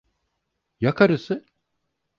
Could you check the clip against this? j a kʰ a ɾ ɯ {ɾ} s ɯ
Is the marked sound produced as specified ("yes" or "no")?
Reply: no